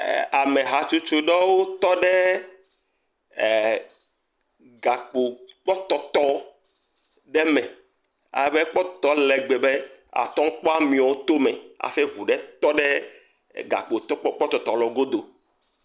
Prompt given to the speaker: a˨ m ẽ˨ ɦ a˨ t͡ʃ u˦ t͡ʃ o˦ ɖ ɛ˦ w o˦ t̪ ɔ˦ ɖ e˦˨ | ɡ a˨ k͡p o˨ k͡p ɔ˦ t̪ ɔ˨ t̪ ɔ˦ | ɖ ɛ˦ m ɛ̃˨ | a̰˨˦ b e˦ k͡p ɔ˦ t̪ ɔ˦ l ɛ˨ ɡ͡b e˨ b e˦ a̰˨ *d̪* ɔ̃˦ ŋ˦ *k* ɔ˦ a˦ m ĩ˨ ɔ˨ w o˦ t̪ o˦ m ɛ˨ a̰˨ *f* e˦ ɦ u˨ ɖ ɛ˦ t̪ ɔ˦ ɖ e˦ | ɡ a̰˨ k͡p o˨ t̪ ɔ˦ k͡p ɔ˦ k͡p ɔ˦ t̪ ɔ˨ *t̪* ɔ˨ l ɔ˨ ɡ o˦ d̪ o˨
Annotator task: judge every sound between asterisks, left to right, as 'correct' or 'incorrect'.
incorrect: t̪, incorrect: k͡p, correct, correct

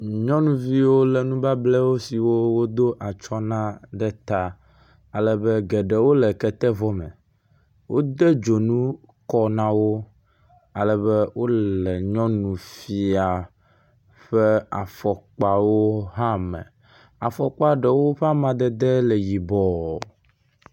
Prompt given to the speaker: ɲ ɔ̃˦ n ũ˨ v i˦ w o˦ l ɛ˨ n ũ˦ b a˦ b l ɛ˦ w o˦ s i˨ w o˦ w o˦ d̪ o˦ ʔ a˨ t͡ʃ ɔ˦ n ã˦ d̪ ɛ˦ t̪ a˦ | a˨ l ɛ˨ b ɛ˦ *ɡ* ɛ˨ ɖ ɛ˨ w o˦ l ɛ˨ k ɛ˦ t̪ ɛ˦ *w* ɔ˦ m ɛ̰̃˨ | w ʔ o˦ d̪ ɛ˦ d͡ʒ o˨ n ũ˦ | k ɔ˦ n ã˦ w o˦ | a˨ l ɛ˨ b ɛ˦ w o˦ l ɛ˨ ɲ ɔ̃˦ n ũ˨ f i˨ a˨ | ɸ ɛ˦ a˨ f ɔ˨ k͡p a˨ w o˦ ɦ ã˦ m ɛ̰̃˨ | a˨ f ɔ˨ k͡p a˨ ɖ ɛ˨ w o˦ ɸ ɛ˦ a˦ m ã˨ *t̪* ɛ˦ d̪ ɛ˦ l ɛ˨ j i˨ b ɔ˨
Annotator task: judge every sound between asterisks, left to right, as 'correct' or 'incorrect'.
correct, incorrect: v, incorrect: d̪

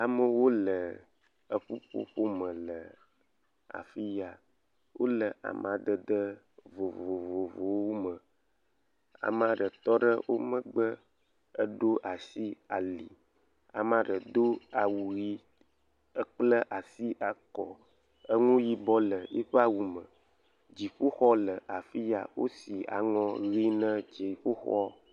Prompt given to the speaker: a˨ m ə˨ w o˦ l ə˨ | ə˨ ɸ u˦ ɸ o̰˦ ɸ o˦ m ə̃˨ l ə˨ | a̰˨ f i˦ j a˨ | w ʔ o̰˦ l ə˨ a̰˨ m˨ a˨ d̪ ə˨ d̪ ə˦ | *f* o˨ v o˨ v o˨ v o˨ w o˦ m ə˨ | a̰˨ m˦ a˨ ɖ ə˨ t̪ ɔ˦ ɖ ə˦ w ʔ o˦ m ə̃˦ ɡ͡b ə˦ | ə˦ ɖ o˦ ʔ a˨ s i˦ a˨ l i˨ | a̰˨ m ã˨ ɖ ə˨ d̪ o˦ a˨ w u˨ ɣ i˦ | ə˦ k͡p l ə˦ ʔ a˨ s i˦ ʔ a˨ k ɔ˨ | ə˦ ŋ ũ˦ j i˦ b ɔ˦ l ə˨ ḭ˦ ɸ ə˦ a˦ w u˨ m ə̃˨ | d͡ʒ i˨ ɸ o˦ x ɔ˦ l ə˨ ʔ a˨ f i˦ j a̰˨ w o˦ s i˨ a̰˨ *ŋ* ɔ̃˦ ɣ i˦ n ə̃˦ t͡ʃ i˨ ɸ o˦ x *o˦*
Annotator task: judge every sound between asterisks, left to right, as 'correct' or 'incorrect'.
incorrect: v, correct, incorrect: ɔ˦

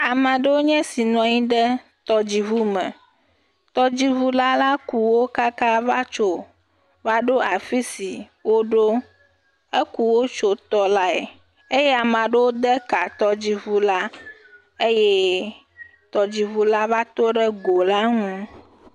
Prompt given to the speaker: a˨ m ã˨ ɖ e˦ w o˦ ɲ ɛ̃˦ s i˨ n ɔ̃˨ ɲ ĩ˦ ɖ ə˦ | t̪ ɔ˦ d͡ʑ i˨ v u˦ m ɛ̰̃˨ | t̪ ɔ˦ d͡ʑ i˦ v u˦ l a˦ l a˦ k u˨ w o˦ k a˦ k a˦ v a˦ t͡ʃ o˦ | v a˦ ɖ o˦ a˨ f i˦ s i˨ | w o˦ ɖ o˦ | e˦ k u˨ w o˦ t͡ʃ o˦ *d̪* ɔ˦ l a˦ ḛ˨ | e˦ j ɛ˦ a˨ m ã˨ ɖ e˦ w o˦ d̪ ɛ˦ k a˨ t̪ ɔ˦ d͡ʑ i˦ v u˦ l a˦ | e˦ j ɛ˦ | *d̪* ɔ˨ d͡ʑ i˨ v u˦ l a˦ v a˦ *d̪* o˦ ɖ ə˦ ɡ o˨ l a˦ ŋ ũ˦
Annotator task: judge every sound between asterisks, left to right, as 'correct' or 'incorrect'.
incorrect: t̪, incorrect: t̪, incorrect: t̪

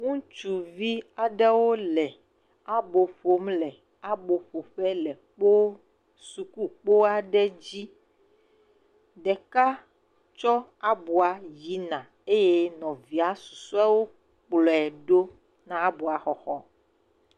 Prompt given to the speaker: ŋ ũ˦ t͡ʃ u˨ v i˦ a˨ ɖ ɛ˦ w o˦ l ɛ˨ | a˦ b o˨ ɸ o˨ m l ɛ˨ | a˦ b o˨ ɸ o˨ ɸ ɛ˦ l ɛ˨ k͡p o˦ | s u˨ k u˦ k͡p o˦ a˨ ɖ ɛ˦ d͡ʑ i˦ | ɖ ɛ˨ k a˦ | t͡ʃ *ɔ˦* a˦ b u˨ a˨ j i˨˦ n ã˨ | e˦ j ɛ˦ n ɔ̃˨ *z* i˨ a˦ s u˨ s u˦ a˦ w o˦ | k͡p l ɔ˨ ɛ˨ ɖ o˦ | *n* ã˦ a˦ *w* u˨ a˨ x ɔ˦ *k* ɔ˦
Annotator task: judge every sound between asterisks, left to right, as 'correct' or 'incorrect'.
correct, incorrect: v, correct, incorrect: b, incorrect: x

